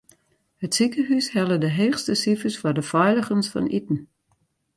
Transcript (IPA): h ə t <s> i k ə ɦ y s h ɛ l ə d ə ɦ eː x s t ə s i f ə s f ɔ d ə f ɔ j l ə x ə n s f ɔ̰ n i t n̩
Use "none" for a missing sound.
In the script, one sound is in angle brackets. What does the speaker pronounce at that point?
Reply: s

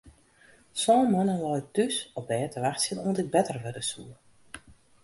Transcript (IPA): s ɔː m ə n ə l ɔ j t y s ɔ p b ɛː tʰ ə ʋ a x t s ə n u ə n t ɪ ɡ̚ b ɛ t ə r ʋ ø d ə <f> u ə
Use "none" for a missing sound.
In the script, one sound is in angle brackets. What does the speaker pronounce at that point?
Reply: s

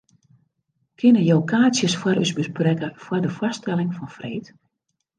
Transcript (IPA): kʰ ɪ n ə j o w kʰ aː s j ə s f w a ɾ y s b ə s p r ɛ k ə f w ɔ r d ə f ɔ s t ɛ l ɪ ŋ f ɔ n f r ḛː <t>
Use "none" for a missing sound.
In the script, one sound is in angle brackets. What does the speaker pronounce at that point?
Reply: t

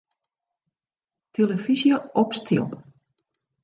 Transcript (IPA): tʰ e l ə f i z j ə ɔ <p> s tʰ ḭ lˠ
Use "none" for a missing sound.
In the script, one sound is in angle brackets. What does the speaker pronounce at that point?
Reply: p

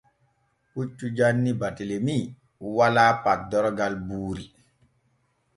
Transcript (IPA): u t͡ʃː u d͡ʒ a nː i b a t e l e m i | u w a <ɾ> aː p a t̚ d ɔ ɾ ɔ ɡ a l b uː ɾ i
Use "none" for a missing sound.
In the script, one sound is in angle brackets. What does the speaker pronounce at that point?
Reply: l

